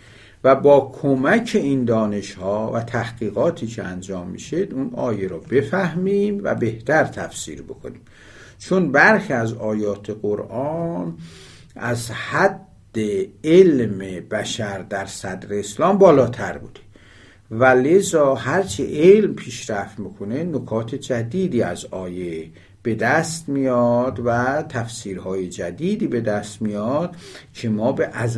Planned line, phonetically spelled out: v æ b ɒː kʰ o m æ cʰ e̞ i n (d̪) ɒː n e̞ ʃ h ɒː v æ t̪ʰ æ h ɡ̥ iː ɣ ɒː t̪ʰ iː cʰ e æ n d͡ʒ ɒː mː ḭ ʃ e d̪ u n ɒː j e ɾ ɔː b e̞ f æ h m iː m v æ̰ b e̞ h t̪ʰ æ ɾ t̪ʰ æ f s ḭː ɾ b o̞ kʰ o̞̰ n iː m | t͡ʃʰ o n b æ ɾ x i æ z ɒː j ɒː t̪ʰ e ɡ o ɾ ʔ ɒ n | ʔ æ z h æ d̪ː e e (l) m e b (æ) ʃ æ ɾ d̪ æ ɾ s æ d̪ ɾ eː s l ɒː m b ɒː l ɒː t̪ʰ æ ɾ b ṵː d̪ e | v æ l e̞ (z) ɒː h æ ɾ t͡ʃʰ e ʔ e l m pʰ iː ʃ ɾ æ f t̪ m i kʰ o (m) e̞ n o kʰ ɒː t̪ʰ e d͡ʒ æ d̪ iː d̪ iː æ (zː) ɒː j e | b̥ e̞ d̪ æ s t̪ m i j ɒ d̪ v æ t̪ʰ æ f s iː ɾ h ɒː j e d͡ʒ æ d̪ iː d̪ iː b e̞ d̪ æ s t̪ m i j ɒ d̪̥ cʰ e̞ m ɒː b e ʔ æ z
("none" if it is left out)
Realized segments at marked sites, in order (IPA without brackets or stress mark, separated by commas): d̪, l, æ, z, n, z